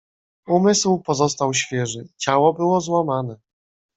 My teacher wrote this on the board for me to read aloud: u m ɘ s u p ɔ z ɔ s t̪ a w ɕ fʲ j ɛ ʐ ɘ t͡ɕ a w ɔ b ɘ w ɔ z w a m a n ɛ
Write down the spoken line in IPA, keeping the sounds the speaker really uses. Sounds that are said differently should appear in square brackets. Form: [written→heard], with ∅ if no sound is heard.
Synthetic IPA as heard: u m ɘ s [u→w] p ɔ z ɔ s t̪ a w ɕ fʲ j ɛ ʐ ɘ t͡ɕ a w ɔ b ɘ w ɔ z w a m a n ɛ